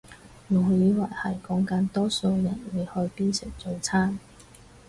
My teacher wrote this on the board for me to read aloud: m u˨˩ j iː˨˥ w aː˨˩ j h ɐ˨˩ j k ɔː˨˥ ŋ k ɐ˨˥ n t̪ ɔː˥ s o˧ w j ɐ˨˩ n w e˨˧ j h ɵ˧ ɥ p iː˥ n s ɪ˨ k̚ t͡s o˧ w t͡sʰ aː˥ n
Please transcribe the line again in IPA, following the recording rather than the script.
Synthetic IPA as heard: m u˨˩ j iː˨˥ w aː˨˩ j h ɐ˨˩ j k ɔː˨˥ ŋ k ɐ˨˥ n t̪ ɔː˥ s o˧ w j ɐ˨˩ n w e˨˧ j h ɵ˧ ɥ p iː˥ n s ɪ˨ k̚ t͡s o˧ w t͡sʰ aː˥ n